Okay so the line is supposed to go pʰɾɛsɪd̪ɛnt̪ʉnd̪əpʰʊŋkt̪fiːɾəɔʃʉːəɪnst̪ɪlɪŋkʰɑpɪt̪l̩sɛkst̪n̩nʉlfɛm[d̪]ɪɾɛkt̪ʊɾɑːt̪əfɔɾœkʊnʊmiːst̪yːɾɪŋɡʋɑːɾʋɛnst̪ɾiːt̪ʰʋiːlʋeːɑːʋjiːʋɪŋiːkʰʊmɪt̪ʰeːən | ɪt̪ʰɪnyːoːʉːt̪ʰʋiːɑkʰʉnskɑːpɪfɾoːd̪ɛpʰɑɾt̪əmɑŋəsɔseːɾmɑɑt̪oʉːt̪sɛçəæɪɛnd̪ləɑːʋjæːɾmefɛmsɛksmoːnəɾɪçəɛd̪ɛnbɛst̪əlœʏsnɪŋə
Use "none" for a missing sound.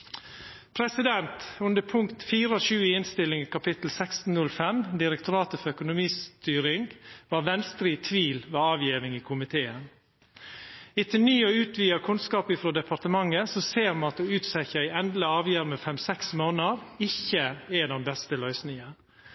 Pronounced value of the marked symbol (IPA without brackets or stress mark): d̪